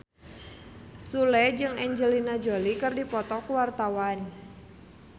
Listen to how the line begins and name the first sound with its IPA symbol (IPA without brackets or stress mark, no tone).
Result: s